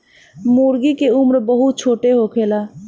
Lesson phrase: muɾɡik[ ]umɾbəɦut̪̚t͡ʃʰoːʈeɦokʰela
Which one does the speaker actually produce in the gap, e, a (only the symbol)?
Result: e